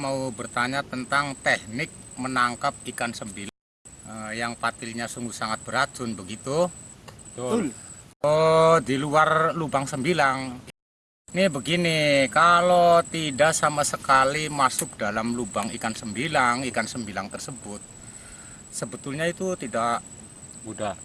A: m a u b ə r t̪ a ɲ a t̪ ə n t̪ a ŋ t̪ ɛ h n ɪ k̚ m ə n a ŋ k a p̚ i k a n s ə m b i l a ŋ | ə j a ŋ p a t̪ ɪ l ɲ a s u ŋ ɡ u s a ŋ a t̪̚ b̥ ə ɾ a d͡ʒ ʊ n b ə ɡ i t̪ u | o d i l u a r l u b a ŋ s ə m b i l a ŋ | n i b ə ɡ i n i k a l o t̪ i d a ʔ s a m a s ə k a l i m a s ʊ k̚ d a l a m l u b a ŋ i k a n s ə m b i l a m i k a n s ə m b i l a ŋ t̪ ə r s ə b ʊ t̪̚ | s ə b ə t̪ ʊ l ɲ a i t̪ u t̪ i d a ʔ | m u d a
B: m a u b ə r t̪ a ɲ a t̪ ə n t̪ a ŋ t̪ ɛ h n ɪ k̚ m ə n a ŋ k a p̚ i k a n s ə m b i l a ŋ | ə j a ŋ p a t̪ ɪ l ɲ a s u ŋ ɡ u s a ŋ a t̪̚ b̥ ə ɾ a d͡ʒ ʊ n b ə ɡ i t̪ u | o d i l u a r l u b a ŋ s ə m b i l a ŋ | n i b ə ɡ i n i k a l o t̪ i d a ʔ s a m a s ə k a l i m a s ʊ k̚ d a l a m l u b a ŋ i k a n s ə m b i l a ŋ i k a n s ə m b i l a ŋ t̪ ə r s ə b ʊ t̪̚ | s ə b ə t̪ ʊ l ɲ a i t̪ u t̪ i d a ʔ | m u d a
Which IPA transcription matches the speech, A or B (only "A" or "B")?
B